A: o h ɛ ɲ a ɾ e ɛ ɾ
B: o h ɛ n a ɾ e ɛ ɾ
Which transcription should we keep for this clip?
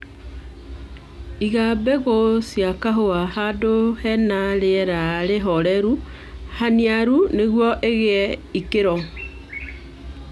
B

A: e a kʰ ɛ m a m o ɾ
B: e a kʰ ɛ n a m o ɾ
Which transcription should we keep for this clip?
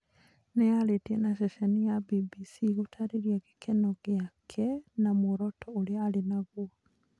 B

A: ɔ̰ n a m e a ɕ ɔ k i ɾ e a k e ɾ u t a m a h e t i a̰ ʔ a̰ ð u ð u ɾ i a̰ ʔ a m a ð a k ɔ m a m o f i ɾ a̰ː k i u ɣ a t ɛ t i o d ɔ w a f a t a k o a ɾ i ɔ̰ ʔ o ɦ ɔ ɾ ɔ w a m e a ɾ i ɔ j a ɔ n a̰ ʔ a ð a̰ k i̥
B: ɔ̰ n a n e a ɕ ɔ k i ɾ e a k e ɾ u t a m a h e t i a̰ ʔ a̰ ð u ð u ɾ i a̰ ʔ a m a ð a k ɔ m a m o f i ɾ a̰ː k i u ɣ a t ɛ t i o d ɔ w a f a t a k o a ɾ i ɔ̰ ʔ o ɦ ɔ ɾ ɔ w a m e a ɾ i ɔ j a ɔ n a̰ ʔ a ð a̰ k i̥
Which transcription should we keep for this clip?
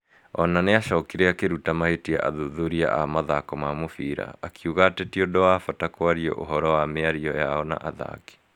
B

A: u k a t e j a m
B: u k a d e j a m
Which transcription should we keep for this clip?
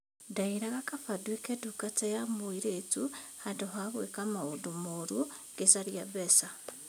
A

